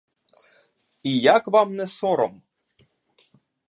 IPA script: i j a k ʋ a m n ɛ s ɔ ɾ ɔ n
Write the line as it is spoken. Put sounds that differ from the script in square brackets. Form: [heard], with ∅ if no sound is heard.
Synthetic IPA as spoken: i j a k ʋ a m n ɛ s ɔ ɾ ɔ [m]